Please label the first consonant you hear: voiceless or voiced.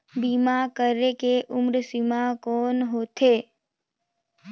voiced